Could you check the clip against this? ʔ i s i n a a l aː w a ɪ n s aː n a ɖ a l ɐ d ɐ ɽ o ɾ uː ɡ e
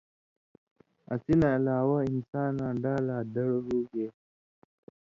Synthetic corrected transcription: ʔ a s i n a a l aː w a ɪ n s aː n a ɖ a l a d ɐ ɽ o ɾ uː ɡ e